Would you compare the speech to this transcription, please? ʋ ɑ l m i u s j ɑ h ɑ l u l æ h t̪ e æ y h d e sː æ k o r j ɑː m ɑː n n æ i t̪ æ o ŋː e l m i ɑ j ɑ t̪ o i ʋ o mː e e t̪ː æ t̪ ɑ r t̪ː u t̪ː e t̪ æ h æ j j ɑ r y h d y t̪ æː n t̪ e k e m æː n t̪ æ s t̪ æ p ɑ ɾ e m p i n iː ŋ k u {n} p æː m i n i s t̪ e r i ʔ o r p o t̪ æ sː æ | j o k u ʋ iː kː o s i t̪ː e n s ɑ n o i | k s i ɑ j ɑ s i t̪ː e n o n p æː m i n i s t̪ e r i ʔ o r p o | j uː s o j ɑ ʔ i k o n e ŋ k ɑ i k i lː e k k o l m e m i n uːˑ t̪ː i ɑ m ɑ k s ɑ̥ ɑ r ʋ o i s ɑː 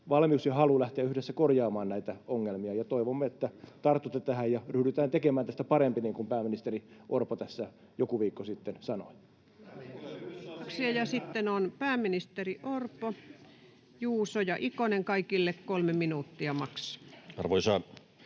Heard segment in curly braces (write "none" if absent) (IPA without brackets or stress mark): m